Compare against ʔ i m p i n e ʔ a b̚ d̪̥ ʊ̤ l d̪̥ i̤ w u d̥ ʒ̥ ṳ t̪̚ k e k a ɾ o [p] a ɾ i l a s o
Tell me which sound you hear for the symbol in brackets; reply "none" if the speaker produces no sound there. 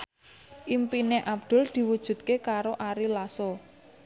ʔ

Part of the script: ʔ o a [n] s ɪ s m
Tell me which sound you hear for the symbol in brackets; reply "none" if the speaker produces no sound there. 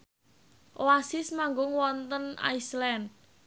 none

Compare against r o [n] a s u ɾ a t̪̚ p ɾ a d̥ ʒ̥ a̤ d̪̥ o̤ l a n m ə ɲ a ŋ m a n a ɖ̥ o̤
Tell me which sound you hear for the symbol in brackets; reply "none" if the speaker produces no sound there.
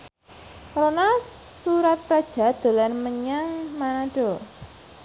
n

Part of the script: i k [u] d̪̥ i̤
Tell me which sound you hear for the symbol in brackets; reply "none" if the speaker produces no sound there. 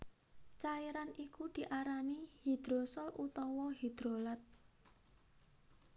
u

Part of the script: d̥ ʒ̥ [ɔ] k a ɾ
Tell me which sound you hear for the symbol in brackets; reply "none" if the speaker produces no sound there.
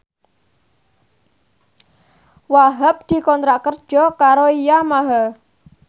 ɔ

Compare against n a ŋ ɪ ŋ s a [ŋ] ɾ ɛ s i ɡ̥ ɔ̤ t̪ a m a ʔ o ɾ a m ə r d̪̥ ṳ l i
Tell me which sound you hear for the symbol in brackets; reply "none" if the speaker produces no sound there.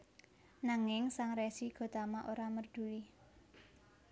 ŋ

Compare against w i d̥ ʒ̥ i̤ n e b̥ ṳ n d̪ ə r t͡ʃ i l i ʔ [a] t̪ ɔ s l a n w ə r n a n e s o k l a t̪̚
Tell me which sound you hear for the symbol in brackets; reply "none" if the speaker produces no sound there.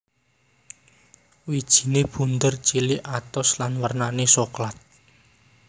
a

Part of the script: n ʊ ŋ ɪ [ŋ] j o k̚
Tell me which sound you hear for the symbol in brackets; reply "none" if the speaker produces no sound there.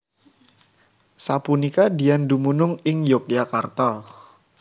ŋ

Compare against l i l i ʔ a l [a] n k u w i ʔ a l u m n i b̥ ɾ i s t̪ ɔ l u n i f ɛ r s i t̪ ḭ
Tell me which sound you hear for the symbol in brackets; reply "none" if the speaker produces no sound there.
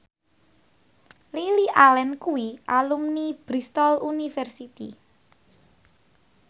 ɛ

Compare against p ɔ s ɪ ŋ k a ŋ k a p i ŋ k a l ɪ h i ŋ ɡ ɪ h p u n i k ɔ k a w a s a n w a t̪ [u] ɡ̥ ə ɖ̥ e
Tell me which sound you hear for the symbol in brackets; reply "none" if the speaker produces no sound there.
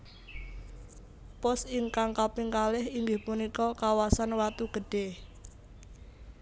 u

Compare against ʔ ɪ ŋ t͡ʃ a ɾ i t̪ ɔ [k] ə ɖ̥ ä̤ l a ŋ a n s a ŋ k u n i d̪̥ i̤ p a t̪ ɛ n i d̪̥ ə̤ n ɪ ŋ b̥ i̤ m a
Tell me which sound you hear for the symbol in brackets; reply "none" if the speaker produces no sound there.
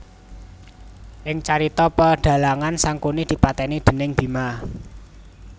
p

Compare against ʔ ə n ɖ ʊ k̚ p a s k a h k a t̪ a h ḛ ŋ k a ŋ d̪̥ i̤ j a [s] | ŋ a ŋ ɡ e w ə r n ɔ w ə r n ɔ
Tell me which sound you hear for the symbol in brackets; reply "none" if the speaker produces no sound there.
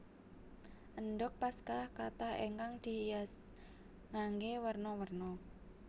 s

